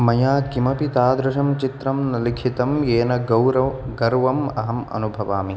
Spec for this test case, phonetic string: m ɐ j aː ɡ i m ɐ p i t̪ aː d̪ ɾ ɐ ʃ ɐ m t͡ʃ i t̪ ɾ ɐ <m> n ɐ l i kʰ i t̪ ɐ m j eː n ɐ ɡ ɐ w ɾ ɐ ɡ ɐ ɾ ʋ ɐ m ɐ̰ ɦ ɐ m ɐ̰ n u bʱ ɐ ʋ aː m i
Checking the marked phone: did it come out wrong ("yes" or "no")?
no